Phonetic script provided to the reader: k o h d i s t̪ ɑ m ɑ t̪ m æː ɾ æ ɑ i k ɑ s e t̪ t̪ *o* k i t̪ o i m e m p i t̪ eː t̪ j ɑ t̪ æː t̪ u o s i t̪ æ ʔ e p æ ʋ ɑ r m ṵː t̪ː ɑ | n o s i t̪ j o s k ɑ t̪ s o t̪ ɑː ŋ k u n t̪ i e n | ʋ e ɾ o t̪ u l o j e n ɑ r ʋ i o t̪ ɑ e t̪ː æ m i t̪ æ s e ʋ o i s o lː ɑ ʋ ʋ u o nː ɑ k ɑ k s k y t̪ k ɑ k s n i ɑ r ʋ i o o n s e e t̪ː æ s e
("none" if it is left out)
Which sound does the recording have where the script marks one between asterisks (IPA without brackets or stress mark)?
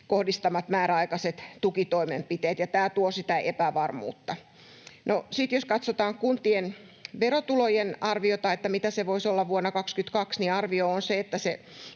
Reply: u